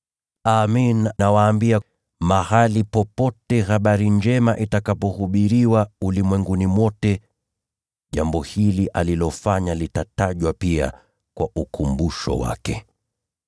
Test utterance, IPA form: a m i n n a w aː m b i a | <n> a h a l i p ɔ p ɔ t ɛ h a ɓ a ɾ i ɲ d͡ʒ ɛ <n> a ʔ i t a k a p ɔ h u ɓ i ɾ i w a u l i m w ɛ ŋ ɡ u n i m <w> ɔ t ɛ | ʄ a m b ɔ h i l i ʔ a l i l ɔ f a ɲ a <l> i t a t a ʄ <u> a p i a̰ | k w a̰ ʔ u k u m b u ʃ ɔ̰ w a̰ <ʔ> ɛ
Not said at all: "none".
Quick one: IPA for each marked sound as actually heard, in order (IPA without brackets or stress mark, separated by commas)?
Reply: m, m, w, l, w, k